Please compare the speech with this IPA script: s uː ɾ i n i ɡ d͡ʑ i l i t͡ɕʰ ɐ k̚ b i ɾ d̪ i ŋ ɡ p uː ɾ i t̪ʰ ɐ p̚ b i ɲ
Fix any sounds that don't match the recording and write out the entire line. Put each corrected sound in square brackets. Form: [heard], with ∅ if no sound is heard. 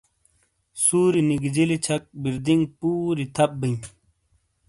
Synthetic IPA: s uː ɾ i n i ɡ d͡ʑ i l i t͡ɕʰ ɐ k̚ b i ɾ d̪ i ŋ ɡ p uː ɾ i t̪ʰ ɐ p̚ b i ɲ